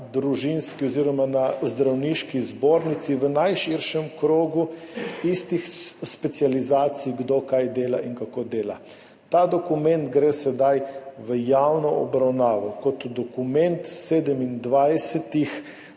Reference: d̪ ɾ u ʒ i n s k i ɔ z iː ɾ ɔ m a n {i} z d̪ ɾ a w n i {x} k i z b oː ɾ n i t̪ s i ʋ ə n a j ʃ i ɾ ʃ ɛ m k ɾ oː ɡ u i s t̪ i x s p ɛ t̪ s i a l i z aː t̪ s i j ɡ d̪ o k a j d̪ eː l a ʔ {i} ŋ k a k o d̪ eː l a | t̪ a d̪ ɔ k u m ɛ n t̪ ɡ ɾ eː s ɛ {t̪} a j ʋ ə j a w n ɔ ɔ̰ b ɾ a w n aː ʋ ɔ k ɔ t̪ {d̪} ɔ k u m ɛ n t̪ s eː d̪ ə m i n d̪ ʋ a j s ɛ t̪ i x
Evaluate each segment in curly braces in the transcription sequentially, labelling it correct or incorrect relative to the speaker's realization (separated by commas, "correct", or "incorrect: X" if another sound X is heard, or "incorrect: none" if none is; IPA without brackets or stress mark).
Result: incorrect: a, incorrect: ʃ, correct, incorrect: d̪, correct